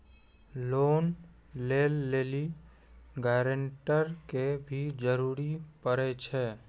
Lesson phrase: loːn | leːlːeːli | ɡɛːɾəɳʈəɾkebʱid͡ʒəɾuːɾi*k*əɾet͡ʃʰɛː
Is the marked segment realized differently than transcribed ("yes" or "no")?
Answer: yes